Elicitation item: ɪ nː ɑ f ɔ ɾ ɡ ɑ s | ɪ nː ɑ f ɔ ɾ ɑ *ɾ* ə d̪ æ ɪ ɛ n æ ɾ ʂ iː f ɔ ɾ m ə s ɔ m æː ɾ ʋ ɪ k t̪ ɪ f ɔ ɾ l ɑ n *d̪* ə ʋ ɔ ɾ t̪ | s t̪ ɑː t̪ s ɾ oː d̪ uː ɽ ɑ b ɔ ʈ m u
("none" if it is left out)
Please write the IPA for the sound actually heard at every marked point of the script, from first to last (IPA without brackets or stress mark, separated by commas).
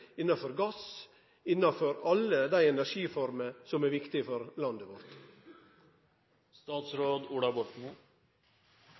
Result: l, d̪